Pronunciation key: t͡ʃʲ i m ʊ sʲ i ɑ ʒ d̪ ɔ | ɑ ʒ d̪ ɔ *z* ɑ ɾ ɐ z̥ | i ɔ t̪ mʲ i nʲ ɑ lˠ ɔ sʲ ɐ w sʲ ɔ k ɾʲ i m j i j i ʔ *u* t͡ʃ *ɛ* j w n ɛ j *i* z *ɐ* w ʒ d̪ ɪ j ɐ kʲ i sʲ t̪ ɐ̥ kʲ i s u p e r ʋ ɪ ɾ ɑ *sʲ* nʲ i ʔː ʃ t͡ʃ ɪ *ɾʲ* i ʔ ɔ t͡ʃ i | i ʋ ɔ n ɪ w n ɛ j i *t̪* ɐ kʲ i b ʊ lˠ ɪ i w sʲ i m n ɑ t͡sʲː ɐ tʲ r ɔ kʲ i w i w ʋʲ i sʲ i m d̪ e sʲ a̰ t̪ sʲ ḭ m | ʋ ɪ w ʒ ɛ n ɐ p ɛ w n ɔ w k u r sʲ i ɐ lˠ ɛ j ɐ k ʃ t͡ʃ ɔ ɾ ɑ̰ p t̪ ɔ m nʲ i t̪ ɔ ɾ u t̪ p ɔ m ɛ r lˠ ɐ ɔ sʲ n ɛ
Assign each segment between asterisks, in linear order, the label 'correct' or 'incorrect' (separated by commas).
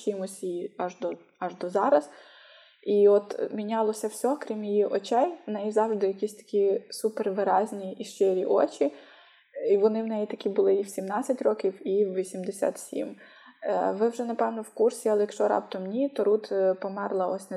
correct, incorrect, correct, correct, incorrect, incorrect, correct, correct